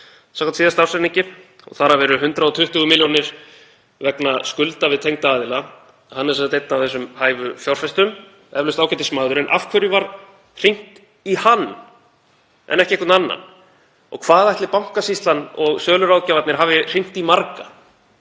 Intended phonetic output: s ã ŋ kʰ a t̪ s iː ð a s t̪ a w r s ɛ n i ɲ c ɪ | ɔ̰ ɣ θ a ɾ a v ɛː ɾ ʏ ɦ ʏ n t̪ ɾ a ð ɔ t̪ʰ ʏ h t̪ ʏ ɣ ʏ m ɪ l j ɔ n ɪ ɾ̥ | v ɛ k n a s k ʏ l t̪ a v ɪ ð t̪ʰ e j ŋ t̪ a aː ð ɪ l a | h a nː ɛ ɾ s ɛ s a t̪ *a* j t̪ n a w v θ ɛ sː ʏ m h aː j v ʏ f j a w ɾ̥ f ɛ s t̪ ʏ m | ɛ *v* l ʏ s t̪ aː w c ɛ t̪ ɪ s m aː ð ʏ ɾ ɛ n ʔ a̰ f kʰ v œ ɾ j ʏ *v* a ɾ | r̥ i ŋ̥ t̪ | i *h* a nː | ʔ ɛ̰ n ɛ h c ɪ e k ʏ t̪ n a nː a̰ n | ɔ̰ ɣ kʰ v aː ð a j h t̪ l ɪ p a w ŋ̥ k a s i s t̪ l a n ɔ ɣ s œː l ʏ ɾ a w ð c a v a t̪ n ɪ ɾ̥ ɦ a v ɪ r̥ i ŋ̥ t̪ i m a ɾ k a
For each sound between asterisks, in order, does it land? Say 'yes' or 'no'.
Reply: no, yes, yes, yes

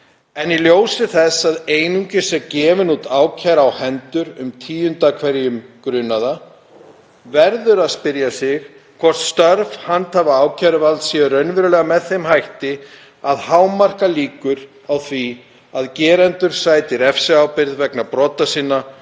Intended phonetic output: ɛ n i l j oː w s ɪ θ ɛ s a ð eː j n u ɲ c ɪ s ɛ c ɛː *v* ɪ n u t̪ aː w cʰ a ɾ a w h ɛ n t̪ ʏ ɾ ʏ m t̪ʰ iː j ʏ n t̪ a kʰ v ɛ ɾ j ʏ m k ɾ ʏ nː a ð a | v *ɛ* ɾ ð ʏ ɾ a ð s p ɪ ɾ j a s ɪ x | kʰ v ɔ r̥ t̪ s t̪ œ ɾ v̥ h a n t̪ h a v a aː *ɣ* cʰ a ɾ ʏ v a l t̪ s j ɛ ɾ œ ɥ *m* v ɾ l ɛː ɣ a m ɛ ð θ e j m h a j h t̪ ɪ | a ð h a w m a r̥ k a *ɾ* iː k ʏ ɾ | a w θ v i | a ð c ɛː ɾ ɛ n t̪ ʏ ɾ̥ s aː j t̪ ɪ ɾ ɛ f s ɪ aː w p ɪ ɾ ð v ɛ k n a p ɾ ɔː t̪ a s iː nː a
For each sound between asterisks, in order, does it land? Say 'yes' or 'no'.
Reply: yes, yes, no, no, no

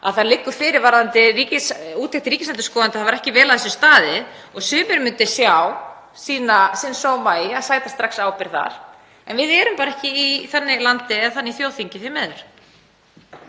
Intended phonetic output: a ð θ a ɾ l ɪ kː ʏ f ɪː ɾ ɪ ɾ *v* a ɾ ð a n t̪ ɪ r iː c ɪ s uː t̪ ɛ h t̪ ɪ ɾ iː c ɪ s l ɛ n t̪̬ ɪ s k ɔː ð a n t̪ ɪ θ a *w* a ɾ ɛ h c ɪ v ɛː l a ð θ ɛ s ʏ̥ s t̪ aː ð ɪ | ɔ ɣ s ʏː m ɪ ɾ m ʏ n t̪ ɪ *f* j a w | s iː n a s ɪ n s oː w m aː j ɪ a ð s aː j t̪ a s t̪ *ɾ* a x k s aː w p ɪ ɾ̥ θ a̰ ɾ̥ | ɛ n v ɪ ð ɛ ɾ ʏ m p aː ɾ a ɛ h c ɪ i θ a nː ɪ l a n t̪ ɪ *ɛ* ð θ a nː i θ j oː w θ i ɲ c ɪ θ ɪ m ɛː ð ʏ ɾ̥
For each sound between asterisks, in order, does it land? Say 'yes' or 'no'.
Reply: yes, no, no, yes, yes

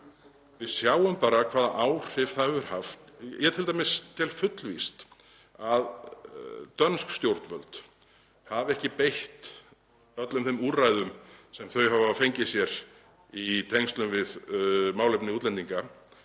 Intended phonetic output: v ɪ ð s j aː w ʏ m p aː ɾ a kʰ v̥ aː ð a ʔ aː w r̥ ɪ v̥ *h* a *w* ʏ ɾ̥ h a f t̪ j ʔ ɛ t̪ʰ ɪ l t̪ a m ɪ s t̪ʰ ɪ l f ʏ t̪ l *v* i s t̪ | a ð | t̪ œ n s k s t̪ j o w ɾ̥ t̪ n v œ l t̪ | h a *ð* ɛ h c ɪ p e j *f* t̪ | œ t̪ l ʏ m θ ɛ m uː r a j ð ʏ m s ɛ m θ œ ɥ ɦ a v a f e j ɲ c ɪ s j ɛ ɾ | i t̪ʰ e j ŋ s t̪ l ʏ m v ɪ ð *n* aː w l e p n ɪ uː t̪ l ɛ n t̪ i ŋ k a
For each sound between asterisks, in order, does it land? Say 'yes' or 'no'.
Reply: no, no, yes, no, no, no

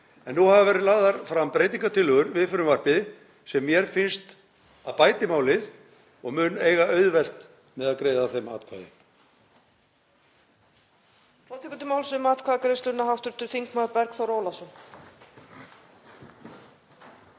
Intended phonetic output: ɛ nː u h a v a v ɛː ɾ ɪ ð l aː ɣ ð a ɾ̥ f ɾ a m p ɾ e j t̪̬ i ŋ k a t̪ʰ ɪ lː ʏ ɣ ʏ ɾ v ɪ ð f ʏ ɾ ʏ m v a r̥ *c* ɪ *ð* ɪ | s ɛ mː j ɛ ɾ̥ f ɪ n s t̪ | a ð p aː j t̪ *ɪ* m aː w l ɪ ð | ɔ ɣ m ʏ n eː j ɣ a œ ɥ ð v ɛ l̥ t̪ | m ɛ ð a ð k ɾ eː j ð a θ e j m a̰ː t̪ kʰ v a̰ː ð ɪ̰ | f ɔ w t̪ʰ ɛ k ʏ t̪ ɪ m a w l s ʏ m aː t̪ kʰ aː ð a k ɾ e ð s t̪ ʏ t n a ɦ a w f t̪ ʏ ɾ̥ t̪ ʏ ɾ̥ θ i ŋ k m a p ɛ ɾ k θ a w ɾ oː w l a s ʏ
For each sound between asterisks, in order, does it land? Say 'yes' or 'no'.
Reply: no, yes, yes

